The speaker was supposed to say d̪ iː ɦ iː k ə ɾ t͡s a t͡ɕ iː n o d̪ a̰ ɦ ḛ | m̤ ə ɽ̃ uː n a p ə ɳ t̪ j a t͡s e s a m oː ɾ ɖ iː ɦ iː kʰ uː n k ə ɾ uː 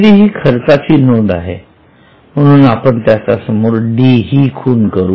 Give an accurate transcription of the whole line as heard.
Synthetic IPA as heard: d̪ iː ɦ iː kʰ ə ɾ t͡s a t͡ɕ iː n o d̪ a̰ ɦ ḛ | m̤ ə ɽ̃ uː n a p ə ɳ t̪ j a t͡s a s ə m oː ɾ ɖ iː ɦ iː kʰ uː n k ə ɾ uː